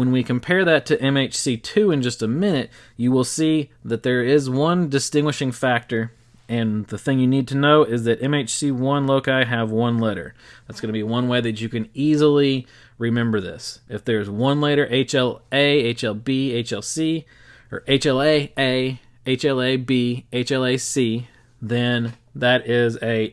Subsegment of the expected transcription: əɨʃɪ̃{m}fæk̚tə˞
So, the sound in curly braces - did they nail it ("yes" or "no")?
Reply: no